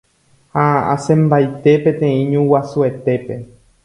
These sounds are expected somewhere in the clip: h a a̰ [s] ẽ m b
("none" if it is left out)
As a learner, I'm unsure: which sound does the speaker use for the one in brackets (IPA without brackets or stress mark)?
s